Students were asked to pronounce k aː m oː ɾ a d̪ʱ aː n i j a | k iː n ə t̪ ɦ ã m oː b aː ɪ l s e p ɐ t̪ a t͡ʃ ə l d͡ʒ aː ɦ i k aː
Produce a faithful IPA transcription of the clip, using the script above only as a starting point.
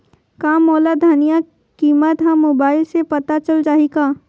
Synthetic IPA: k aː m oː l a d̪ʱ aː n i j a | k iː m ə t̪ ɦ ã m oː b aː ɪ l s e p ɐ t̪ a t͡ʃ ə l d͡ʒ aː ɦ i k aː

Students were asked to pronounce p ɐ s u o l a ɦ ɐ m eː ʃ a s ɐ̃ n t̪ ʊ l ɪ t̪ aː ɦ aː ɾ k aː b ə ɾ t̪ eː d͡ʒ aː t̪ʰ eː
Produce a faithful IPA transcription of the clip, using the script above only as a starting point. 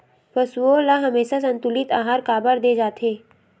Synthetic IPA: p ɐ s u o l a ɦ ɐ m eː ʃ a s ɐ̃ n t̪ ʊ l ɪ t̪ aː ɦ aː ɾ k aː b ə ɾ d̪ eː d͡ʒ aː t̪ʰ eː

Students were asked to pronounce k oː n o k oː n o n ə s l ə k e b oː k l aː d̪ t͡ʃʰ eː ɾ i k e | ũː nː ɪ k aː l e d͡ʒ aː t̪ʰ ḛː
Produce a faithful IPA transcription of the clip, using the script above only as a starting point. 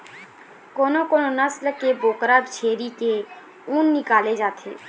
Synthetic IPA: k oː n o k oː n o n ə s l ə k e b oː k ɾ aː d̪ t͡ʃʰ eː ɾ i k e | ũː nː ɪ k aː l e d͡ʒ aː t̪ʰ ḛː

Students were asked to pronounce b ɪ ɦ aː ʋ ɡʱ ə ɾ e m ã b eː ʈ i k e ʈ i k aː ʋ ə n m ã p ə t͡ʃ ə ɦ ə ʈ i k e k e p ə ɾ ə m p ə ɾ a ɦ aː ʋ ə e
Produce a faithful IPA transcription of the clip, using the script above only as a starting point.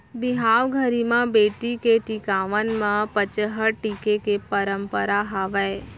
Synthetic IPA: b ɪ ɦ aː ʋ ɡʱ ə ɾ i m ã b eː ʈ i k e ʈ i k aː ʋ ə n m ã p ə t͡ʃ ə ɦ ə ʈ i k e k e p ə ɾ ə m p ə ɾ a ɦ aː ʋ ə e

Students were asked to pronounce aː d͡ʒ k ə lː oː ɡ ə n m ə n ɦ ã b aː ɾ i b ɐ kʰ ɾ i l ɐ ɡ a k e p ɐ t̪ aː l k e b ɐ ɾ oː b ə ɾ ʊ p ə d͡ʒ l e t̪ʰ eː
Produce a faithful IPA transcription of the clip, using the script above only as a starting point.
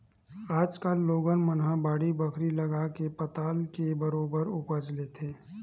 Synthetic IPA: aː d͡ʒ k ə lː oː ɡ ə n m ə n ɦ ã b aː ɽ i b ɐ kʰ ɾ i l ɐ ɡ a k e p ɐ t̪ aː l k e b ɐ ɾ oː b ə ɾ ʊ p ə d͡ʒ l e t̪ʰ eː

